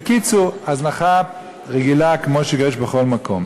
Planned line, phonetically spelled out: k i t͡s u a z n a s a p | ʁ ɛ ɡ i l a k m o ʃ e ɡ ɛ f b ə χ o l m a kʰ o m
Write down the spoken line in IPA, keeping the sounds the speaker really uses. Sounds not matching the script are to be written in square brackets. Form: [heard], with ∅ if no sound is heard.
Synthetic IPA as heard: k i t͡s u a z n a [χ] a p | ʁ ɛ ɡ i l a k m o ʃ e ɡ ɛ [ʃ] b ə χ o l m a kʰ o m